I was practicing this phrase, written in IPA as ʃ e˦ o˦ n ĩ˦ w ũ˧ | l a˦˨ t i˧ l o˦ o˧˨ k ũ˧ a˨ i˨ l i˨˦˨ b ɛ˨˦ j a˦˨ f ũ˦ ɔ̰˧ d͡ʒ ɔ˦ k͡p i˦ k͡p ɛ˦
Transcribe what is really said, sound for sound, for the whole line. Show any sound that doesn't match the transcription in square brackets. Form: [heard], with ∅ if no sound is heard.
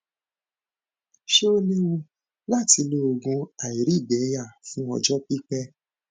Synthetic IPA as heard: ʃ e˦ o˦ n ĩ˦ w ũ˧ | l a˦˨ t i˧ l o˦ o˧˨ [ɡ] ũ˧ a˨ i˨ [ɾ] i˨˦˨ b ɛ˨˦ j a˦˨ f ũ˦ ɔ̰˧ d͡ʒ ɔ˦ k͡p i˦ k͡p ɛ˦